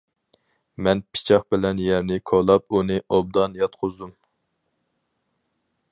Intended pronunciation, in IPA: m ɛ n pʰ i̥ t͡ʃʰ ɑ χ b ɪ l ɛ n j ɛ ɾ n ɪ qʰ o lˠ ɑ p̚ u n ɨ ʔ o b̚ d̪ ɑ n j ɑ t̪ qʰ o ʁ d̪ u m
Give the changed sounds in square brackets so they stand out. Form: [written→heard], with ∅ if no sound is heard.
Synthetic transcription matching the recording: m ɛ n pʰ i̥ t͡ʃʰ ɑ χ b ɪ l ɛ n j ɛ ɾ n ɪ [qʰ→kʰ] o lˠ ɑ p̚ u n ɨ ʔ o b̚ d̪ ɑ n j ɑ t̪ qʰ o [ʁ→z] d̪ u m